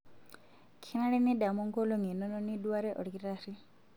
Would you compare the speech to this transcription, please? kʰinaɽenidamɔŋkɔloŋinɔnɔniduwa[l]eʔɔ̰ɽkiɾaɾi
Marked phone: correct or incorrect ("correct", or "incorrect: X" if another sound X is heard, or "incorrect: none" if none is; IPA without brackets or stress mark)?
incorrect: ɾ